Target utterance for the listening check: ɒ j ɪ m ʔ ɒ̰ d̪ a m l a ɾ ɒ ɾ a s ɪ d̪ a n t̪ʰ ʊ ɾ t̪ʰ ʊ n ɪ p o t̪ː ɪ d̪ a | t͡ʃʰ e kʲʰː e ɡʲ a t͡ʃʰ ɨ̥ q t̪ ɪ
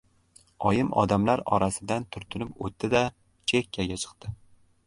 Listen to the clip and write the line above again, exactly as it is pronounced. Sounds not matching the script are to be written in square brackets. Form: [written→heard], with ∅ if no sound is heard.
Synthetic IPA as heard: ɒ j ɪ m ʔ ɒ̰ d̪ a m l a ɾ ɒ ɾ a s ɪ d̪ a n t̪ʰ ʊ ɾ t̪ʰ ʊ n ɪ p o t̪ː ɪ d̪ a | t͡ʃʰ e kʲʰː [e→a] ɡʲ a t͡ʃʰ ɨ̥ q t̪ ɪ